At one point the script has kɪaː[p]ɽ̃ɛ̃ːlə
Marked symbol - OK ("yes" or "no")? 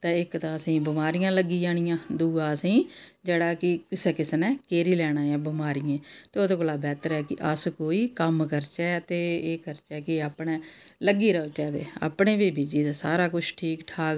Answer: yes